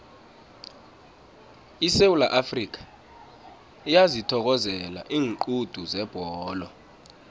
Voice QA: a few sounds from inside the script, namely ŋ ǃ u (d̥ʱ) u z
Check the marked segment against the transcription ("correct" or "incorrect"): correct